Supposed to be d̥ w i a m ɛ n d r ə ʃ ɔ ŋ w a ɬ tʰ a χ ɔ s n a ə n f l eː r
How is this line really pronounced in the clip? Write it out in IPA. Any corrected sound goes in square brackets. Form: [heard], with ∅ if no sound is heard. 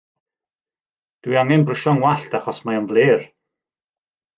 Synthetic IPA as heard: d̥ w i a [ŋ] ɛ n [b] r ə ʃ ɔ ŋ w a ɬ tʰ a χ ɔ s [m] a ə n [v] l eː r